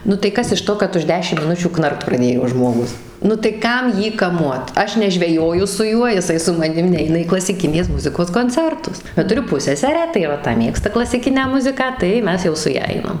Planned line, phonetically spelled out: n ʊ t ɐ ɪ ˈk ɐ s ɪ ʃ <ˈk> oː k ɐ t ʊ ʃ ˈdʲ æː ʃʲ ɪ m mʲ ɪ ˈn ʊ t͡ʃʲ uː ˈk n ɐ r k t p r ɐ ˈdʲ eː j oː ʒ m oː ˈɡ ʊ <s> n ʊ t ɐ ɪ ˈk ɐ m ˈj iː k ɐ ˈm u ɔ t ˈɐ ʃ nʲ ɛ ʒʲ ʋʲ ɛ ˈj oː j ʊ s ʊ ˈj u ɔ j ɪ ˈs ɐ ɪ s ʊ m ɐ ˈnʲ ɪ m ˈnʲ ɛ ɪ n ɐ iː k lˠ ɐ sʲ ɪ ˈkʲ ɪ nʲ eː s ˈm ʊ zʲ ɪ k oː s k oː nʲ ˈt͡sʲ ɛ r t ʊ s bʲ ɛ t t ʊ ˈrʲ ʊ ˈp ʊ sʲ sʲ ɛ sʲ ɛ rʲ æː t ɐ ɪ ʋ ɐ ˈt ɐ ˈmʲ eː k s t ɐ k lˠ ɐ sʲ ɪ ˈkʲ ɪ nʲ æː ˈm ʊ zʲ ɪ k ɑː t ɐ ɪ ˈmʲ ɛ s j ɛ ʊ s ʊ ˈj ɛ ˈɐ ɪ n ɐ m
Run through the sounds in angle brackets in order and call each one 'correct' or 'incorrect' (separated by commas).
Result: incorrect, correct